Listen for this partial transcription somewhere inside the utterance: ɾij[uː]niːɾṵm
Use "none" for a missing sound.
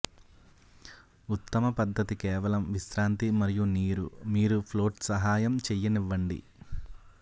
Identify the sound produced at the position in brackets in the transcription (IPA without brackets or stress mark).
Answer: u